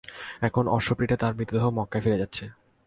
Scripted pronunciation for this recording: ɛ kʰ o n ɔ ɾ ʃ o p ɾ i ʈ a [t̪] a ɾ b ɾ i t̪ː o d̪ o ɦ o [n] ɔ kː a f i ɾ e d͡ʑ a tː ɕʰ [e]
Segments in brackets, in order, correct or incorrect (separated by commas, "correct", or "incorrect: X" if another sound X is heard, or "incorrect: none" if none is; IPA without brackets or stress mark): correct, incorrect: m, correct